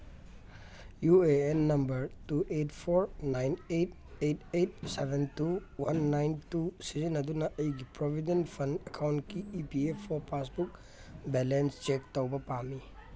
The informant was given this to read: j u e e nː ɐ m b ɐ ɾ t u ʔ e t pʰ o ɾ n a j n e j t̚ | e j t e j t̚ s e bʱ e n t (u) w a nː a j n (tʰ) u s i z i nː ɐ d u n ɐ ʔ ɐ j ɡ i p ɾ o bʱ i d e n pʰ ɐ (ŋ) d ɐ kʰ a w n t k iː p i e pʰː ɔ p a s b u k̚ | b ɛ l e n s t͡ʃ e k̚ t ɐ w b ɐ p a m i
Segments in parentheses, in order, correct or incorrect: correct, incorrect, incorrect

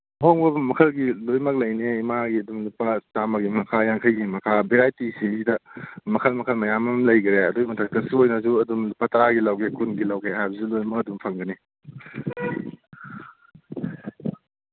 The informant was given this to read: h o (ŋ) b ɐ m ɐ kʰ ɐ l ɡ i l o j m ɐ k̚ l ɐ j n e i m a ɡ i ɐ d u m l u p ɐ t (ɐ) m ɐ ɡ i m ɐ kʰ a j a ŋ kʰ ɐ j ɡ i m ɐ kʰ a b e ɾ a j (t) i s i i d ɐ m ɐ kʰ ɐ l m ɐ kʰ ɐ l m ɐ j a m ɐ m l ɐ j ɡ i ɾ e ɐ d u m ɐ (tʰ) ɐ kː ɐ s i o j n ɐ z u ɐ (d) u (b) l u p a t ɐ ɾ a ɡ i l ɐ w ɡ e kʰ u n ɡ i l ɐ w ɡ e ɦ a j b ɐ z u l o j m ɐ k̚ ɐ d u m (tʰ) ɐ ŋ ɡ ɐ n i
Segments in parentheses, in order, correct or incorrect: correct, incorrect, correct, correct, correct, incorrect, incorrect

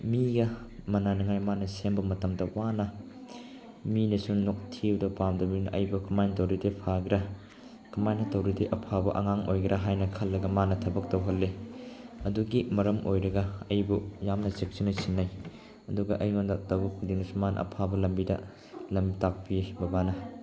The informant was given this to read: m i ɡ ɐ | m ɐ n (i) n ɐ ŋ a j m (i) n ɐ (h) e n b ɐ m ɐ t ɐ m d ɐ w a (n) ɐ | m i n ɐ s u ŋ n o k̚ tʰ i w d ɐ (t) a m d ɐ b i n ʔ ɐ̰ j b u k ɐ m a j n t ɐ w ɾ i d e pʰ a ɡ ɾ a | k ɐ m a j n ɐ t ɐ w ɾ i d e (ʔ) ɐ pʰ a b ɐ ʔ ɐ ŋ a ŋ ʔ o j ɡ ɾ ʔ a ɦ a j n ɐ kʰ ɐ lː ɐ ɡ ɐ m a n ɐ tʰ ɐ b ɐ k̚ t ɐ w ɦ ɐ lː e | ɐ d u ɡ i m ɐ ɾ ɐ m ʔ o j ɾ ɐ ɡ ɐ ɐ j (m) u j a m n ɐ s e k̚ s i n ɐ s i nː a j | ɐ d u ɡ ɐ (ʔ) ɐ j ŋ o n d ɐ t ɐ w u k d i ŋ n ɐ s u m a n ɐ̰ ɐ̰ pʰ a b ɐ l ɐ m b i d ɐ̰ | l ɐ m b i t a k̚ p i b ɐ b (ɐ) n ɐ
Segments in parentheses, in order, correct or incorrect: incorrect, incorrect, incorrect, correct, incorrect, correct, incorrect, correct, incorrect

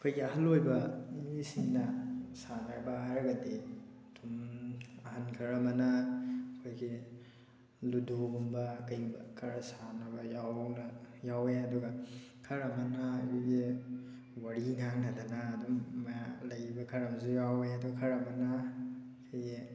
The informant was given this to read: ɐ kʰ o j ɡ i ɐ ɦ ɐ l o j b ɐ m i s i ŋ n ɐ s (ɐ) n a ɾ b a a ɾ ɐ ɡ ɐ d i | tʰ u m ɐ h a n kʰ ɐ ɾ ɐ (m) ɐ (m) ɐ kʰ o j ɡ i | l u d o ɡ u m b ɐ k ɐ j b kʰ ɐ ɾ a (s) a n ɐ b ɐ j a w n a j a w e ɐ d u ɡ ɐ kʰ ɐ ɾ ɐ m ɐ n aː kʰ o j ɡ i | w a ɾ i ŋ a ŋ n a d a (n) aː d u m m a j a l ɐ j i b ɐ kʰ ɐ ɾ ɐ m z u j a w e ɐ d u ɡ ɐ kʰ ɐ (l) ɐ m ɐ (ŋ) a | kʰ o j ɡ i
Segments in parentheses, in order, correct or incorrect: incorrect, correct, incorrect, correct, correct, incorrect, incorrect

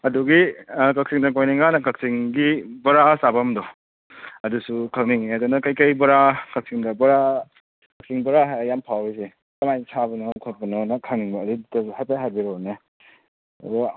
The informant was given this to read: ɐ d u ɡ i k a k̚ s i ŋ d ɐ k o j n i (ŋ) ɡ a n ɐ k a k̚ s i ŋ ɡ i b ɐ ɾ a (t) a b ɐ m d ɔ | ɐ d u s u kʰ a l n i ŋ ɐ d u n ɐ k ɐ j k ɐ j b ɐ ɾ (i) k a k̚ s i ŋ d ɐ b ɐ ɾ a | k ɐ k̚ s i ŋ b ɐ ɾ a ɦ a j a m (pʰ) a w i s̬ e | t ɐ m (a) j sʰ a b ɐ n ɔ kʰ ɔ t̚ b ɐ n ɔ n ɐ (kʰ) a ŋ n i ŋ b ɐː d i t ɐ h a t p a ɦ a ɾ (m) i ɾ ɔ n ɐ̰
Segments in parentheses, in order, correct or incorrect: correct, incorrect, incorrect, correct, correct, correct, incorrect

